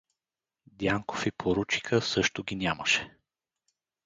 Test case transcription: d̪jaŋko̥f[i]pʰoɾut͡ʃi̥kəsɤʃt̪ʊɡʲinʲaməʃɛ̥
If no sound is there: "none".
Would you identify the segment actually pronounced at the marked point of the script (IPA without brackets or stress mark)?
i